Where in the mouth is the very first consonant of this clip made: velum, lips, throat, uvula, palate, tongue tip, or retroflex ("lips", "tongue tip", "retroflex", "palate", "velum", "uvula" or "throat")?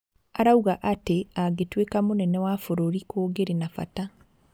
tongue tip